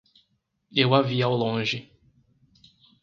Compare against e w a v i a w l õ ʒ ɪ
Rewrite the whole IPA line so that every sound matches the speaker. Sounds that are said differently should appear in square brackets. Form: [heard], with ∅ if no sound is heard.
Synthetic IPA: e w a v i a w l õ ʒ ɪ